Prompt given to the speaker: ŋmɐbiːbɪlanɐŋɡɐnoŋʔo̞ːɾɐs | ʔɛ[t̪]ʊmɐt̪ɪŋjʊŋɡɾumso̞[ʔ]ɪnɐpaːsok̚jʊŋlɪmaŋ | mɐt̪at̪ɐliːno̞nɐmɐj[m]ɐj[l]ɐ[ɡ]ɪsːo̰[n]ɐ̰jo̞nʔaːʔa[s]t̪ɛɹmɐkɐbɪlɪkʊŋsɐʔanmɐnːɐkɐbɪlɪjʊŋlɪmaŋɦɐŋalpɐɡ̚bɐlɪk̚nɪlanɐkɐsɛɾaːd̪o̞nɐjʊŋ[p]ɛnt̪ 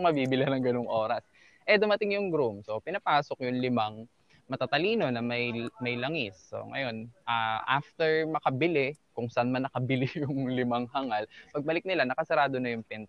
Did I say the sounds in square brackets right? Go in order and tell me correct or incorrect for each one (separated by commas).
incorrect, incorrect, correct, correct, incorrect, incorrect, incorrect, correct